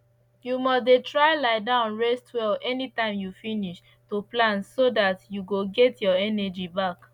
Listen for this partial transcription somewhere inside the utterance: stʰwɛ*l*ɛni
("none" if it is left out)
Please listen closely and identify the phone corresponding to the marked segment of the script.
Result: l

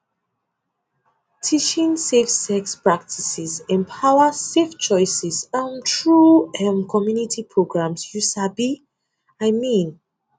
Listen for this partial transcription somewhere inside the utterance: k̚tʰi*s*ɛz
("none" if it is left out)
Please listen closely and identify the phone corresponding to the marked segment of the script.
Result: s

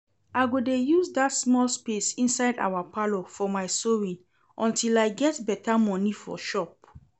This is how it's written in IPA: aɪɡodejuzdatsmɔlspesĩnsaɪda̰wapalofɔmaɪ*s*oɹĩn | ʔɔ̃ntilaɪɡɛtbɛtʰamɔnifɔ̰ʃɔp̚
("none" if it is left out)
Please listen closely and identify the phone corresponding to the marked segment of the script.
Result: s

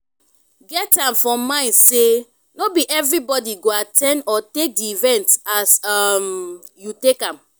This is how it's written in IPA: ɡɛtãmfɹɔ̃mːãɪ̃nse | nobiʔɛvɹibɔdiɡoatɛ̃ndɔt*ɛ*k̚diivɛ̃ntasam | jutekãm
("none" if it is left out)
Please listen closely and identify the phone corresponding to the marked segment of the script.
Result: e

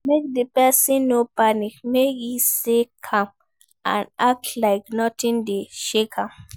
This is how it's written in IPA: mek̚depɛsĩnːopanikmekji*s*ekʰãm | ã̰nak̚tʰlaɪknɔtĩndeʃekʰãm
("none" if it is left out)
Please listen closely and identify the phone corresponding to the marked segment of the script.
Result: s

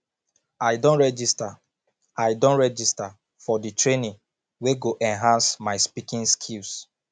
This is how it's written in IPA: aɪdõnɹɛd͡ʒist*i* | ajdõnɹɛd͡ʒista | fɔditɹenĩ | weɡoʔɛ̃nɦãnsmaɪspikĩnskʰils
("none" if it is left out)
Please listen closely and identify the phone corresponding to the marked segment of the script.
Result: a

